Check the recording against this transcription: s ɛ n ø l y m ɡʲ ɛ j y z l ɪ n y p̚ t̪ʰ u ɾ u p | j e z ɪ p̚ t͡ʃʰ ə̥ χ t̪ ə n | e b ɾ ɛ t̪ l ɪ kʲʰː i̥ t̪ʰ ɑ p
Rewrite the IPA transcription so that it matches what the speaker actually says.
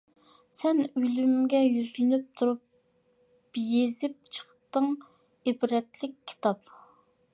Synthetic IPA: s ɛ n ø l y m ɡʲ ɛ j y z l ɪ n y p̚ t̪ʰ u ɾ u p | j e z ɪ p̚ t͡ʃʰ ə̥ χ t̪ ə ŋ | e b ɾ ɛ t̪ l ɪ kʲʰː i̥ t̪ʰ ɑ p